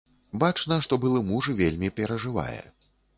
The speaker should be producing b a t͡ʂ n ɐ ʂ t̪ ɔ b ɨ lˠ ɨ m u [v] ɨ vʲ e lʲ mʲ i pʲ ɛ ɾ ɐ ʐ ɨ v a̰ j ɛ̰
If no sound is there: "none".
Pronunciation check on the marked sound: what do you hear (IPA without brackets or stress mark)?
ʐ